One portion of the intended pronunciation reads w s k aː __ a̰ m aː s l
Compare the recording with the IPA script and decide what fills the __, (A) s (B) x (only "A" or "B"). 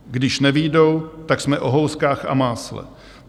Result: B